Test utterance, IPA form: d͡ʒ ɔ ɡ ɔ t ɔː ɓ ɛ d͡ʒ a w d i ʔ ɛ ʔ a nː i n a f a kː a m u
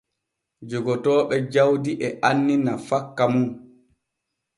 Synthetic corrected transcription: d͡ʒ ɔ ɡ ɔ t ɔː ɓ ɛ d͡ʒ a w d i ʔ ɛ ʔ a nː i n a f a kː a m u